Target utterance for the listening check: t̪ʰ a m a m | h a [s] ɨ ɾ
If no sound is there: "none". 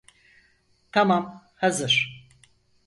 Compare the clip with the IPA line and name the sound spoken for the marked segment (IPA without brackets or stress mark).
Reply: z